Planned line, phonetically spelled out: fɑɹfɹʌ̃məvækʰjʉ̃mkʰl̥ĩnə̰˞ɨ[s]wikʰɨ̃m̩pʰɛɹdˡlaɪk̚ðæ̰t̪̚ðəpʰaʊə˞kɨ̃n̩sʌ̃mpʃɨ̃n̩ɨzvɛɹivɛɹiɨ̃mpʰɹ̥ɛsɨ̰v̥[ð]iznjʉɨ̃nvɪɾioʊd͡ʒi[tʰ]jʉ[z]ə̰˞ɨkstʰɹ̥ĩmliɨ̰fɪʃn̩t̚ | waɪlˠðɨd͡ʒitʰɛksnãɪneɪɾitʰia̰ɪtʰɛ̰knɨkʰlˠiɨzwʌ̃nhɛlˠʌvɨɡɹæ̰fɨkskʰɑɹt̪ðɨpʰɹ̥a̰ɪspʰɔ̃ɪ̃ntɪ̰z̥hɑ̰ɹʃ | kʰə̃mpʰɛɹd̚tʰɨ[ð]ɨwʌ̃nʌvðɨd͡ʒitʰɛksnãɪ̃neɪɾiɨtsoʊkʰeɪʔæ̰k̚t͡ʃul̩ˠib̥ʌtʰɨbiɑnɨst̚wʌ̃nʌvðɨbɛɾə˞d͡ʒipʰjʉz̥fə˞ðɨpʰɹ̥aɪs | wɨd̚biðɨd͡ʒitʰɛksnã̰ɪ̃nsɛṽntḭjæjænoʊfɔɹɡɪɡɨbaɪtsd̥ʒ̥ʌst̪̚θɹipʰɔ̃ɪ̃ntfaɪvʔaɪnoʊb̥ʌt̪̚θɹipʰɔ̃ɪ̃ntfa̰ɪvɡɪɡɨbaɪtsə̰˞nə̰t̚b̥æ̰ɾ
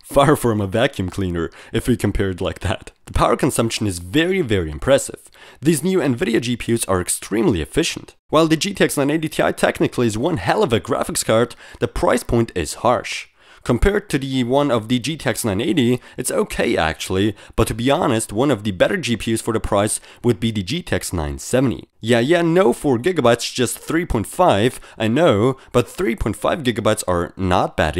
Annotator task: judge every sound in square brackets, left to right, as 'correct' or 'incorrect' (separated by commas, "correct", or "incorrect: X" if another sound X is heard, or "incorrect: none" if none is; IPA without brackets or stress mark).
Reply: incorrect: f, correct, incorrect: pʰ, correct, correct